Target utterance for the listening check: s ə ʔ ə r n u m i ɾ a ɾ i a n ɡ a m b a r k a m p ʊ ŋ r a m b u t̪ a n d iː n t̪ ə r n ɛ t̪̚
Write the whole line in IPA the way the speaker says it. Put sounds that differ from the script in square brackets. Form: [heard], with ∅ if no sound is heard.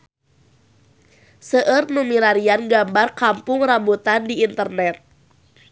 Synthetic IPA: s ə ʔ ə r n u m i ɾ a ɾ i a n ɡ a m b a r k a m p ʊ ŋ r a m b u t̪ a n d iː n t̪ ə r n ɛ t̪̚